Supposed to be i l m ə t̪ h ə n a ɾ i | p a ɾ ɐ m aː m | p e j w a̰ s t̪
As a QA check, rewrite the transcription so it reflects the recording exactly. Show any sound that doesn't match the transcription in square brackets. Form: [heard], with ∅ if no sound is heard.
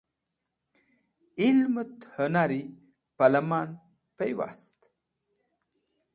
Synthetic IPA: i l m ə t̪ h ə n a ɾ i | p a [l] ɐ m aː [n] | p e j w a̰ s t̪